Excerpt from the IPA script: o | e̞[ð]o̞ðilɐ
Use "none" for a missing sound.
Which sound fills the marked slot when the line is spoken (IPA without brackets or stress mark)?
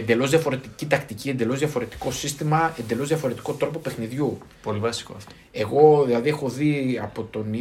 ɣ